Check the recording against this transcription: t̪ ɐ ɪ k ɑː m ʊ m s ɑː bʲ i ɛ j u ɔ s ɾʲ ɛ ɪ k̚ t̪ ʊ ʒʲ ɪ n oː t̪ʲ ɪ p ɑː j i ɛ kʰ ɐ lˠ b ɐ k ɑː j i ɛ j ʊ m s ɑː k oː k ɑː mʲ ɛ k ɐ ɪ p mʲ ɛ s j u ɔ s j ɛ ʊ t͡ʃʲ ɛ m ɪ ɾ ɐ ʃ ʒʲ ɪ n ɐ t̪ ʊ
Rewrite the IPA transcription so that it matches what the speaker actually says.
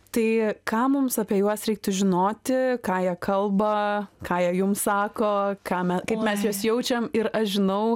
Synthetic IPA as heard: t̪ ɐ ɪ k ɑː m ʊ m s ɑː pʲ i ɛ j u ɔ s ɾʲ ɛ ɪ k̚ t̪ ʊ ʒʲ ɪ n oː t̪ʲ ɪ k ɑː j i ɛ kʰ ɐ lˠ b ɐ k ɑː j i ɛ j ʊ m s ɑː k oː k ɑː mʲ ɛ k ɐ ɪ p mʲ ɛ s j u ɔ s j ɛ ʊ t͡ʃʲ ɛ m ɪ ɾ ɐ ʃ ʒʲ ɪ n ɐ ʊ